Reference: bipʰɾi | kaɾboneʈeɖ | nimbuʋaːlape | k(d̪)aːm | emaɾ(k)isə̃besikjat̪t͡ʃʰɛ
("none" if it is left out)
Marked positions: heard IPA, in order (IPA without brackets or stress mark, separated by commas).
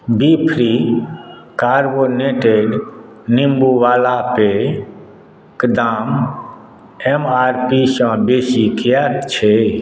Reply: d̪, p